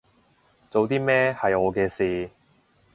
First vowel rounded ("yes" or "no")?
yes